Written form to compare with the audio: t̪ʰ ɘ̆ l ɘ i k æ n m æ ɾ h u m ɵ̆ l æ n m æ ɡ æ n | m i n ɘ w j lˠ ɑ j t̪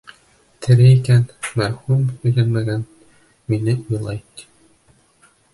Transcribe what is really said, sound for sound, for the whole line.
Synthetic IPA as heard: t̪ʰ ɘ̆ ɾ ɘ i k æ n m æ ɾ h u m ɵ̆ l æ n m æ ɡ æ n | m i n ɘ u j lˠ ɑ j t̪